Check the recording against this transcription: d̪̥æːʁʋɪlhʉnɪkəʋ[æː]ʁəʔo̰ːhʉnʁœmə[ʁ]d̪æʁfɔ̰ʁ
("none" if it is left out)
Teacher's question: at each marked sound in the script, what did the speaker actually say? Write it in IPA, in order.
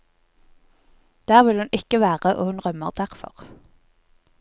æː, ʁ

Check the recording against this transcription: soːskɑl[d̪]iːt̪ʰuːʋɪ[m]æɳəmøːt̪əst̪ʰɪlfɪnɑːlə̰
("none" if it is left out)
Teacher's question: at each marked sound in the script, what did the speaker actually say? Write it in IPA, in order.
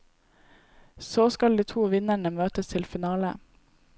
d̪, n

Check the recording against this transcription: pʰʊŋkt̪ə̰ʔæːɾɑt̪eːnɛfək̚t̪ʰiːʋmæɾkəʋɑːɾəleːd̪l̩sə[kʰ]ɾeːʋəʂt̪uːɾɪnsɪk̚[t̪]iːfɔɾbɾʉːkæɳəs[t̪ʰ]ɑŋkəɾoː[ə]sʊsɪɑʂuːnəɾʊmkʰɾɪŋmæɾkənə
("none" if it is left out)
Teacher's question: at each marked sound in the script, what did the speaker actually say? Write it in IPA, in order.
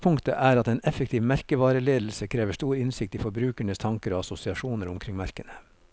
kʰ, t̪, t̪ʰ, ɑ

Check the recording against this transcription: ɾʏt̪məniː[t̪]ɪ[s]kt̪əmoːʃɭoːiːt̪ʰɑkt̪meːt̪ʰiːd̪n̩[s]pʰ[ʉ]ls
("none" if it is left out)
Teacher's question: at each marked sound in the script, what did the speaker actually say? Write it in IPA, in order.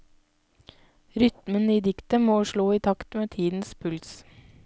d̪, none, s, ʉ

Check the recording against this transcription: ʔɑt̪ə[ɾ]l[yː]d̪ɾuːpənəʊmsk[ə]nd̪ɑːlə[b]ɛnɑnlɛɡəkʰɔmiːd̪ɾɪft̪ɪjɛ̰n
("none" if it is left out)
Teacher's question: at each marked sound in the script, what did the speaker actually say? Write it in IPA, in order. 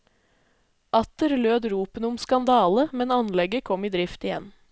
ɾ, øː, ɑ, m

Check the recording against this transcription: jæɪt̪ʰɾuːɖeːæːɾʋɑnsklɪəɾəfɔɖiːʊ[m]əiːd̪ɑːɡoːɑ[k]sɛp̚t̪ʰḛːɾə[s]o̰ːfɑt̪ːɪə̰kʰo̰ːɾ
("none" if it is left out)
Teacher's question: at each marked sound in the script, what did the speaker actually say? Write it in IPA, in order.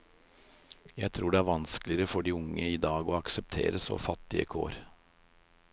ŋ, k, s

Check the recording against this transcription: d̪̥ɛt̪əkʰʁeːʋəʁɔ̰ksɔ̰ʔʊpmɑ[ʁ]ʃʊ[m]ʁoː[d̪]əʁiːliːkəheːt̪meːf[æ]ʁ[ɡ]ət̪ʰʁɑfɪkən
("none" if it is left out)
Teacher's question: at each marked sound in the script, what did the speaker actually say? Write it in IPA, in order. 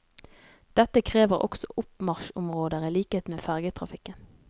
ʁ, m, d̪, æ, ɡ

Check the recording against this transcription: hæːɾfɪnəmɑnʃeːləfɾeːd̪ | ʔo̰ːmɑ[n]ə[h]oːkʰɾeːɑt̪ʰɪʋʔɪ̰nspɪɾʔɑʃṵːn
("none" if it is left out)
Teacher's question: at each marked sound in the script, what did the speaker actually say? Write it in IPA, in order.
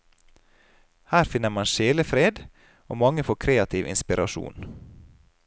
ŋ, f

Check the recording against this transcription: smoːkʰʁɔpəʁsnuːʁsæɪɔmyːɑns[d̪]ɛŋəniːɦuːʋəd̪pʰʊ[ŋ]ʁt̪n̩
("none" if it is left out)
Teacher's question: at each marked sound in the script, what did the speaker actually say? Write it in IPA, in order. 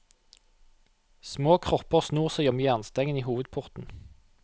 t̪, none

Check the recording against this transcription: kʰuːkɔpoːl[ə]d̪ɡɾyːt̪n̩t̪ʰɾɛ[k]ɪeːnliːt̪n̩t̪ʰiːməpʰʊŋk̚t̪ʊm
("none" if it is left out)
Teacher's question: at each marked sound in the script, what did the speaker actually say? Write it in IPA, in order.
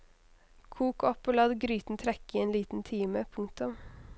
ɑ, k

